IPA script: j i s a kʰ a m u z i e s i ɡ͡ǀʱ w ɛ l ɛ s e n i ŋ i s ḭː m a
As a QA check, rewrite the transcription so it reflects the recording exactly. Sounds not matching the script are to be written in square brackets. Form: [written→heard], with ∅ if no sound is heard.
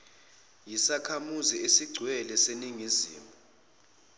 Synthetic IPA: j i s a kʰ a m u z i e s i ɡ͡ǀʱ w ɛ l ɛ s e n i ŋ i [s→z] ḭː m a